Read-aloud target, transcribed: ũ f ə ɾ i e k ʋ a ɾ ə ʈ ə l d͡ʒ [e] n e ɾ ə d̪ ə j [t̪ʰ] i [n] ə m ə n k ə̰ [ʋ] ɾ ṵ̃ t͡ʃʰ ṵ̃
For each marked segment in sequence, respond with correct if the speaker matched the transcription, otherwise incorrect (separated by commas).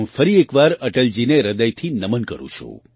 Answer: incorrect, correct, correct, incorrect